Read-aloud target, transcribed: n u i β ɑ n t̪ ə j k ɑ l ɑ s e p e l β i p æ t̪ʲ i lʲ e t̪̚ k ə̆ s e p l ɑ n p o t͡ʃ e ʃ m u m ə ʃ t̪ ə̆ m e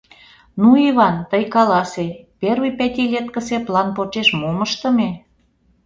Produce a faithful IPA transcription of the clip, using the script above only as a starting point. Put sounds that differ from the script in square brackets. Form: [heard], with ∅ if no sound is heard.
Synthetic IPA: n u i β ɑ n t̪ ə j k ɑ l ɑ s e p e [r] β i p æ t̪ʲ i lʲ e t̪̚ k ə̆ s e p l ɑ n p o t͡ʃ e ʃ m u m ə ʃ t̪ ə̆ m e